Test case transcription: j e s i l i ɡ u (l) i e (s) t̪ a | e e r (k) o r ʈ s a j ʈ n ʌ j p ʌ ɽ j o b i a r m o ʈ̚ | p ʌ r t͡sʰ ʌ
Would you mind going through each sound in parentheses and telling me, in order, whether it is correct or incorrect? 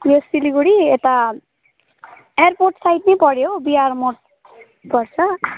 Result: incorrect, incorrect, incorrect

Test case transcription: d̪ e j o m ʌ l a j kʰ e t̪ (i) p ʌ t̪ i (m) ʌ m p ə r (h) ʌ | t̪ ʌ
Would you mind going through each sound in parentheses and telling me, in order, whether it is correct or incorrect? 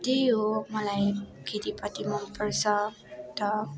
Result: correct, correct, incorrect

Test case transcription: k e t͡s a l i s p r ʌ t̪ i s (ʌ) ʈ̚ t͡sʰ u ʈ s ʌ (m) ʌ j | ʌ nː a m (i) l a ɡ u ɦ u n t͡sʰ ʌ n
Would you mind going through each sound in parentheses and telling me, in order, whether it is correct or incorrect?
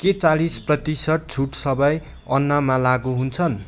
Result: correct, incorrect, incorrect

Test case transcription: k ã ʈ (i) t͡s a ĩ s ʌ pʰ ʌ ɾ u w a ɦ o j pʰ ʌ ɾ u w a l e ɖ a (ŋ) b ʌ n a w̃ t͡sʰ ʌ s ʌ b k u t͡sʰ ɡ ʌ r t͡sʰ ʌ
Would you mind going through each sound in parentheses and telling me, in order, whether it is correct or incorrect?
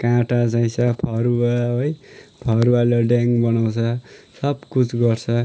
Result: incorrect, correct

